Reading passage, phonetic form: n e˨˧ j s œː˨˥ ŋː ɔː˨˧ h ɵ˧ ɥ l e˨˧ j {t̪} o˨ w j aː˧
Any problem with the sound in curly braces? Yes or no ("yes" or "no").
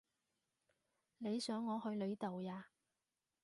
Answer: no